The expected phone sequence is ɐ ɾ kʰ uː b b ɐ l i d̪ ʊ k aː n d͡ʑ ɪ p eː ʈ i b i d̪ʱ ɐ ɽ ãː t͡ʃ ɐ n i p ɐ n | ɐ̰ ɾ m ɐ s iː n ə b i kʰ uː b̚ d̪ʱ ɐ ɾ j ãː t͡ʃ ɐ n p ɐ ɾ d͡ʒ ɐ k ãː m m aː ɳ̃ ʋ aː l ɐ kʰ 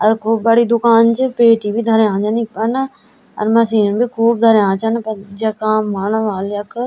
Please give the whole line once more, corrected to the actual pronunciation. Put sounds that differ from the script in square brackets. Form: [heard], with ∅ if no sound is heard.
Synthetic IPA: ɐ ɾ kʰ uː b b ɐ [ɽ] i d̪ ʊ k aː n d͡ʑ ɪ p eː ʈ i b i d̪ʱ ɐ [ɾ] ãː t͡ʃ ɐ n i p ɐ n | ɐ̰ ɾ m ɐ s iː n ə b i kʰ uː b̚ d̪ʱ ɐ ɾ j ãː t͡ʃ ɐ n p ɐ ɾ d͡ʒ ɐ k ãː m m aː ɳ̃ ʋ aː l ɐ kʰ